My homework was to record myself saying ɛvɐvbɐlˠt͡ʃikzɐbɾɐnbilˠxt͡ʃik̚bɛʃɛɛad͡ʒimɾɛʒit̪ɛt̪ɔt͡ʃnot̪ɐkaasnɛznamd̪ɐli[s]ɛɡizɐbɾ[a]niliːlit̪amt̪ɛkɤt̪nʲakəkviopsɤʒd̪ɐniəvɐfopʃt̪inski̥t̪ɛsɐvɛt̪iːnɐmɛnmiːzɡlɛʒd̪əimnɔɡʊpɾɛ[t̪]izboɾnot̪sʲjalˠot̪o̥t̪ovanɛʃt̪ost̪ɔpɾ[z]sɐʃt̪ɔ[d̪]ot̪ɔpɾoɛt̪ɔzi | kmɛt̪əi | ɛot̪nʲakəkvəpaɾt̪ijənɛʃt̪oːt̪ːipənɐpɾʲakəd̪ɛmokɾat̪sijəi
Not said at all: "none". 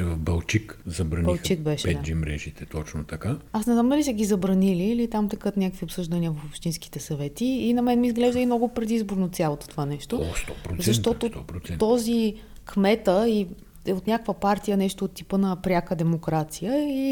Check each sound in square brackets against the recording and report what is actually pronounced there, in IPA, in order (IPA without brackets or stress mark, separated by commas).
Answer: s, ɐ, d̪, z, t̪